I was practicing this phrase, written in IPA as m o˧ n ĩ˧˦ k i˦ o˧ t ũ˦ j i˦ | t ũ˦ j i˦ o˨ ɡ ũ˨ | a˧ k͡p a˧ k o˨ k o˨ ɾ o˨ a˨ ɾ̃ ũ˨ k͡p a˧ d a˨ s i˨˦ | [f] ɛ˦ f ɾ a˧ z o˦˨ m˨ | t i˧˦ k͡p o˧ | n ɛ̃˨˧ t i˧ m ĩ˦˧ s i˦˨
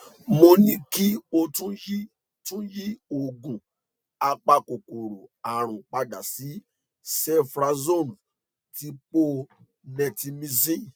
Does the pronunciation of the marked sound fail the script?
yes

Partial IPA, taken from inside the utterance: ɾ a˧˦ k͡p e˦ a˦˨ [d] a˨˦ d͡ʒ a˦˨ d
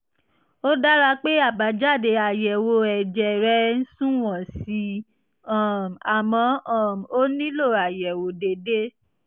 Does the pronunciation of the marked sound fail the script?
yes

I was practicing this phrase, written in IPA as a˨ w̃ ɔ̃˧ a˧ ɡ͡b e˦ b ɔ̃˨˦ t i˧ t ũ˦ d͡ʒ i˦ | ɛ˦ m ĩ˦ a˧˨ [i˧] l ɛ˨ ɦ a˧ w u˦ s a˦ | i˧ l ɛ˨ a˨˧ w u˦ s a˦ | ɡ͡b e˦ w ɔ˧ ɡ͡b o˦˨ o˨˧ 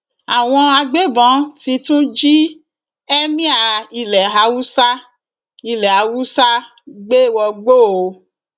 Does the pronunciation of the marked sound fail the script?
no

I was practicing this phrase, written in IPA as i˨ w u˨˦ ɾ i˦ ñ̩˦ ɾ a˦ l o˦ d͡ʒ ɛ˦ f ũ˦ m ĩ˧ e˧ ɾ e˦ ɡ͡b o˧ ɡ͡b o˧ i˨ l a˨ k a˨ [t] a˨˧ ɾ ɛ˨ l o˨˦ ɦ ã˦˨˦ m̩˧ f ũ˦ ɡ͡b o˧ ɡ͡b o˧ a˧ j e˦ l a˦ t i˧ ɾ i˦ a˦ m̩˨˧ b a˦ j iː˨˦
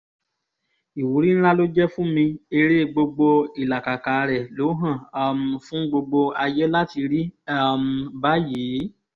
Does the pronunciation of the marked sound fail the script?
yes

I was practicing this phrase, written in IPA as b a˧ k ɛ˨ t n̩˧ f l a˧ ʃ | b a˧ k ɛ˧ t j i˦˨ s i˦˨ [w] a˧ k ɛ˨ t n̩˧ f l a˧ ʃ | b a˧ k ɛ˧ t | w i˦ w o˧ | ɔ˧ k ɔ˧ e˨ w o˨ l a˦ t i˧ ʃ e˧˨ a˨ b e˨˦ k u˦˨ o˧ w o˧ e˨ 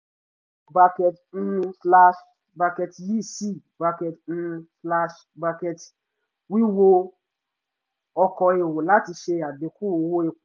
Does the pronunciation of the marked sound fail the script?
yes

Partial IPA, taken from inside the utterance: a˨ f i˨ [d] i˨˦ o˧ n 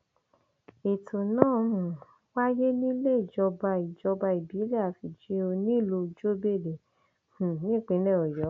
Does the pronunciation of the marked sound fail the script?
yes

